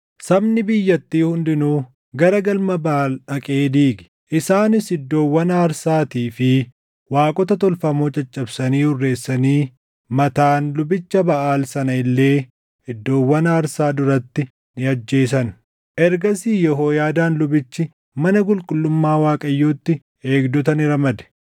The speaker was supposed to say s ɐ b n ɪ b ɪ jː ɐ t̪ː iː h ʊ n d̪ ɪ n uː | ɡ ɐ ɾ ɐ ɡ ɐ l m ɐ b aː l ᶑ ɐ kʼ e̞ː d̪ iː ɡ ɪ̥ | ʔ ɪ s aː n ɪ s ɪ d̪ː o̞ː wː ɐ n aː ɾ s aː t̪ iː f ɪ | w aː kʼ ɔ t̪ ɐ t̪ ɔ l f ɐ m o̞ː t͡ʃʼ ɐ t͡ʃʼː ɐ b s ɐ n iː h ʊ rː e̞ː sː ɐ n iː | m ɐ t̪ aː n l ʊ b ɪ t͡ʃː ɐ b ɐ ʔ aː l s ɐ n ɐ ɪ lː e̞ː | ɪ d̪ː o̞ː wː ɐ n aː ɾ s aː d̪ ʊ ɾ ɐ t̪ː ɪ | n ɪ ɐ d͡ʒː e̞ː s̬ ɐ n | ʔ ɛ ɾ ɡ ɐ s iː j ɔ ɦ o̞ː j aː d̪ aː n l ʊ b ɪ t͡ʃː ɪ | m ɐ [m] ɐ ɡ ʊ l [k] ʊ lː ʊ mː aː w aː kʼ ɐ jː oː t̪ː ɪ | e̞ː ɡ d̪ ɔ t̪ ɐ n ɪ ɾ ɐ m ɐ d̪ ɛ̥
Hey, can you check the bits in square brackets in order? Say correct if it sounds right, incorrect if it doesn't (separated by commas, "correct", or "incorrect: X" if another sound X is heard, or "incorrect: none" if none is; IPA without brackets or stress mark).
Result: incorrect: n, incorrect: kʼ